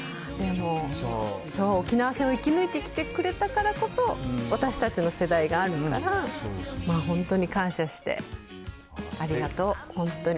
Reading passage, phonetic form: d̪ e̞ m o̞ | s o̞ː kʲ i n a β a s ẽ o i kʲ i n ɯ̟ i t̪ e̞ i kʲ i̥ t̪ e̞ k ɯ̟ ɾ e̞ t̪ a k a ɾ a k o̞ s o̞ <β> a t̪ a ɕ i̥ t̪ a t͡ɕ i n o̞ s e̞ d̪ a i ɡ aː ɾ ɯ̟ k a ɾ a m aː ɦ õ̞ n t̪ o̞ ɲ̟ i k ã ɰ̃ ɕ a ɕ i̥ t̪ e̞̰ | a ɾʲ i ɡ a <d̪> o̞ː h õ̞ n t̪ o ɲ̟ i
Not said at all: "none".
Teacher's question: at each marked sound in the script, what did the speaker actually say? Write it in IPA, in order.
β, t̪

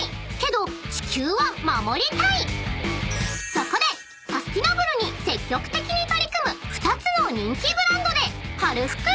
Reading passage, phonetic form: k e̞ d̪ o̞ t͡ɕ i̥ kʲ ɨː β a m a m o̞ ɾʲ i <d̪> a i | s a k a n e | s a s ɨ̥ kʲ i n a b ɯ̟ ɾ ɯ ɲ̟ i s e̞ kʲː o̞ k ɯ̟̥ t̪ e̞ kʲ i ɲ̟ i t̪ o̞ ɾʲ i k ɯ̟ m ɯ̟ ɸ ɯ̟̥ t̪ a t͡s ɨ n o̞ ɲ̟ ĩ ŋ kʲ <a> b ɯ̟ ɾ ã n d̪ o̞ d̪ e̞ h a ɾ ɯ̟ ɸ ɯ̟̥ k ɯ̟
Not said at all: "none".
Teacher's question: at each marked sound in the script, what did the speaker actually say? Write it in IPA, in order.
t̪, i

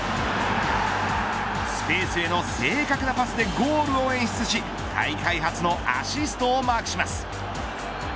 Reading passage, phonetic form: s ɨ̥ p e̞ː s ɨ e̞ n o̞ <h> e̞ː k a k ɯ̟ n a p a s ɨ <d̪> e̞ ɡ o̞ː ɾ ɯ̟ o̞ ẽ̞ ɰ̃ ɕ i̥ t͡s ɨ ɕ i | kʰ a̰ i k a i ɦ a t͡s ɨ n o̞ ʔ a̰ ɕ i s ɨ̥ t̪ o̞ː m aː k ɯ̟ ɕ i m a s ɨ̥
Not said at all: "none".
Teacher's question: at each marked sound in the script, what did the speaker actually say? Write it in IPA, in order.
s, d̪

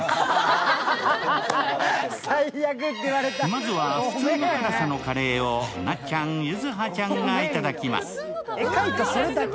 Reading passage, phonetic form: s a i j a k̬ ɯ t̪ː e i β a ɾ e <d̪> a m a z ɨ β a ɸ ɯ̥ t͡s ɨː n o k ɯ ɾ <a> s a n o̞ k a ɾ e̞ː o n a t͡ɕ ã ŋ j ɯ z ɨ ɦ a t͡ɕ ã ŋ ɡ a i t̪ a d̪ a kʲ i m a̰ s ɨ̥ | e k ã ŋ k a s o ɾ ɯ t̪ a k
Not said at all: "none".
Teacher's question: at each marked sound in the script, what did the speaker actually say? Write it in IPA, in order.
t̪, a

